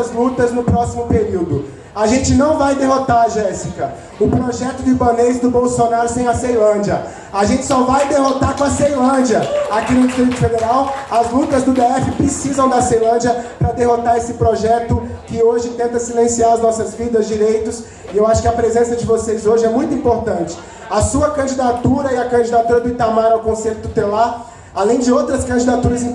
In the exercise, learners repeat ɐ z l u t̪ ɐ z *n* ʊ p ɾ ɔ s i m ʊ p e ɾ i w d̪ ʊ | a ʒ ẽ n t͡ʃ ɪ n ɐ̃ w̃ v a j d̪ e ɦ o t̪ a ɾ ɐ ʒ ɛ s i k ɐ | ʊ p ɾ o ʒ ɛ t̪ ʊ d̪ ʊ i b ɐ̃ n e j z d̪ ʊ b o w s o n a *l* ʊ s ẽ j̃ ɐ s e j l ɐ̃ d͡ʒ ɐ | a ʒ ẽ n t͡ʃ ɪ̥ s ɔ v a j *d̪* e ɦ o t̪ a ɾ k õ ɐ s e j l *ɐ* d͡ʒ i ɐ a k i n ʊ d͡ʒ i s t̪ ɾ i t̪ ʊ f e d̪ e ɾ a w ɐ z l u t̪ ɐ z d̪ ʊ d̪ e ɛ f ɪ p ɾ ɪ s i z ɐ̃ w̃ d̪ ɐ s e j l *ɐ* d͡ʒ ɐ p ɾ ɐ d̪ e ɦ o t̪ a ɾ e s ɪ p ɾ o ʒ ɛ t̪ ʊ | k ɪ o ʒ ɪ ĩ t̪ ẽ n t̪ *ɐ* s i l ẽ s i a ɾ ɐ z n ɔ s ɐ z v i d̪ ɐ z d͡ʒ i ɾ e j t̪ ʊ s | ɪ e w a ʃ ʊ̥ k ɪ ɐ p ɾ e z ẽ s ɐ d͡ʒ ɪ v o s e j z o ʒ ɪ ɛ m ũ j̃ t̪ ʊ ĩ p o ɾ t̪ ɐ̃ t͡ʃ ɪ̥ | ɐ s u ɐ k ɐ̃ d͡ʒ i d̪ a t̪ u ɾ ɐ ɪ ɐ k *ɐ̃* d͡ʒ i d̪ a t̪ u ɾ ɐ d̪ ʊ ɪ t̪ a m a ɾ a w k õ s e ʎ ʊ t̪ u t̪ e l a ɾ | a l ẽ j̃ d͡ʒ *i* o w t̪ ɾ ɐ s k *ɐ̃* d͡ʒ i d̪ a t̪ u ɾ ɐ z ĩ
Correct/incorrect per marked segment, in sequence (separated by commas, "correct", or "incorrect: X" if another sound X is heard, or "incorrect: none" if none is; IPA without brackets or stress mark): correct, incorrect: ɾ, correct, incorrect: ɐ̃, incorrect: ɐ̃, correct, correct, incorrect: ɪ, correct